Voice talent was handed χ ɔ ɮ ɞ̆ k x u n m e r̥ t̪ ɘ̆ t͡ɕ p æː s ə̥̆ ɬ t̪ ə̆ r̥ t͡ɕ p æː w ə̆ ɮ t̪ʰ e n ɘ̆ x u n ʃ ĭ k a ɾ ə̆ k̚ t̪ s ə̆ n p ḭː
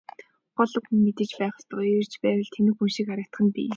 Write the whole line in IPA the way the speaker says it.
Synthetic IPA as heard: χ ɔ ɮ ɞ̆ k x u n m e t̪ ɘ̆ t͡ɕ p æː χ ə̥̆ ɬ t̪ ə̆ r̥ t͡ɕ p æː w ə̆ ɮ t̪ʰ e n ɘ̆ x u n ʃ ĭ k a ɾ ə̆ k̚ t̪ χ ə̆ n p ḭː